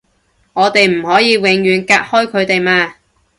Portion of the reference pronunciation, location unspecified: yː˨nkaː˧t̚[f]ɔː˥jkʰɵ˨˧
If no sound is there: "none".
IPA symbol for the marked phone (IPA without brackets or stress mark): h